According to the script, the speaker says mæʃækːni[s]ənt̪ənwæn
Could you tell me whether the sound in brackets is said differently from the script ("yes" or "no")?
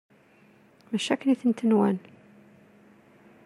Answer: yes